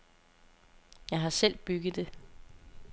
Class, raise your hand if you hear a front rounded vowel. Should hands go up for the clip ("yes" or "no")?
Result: yes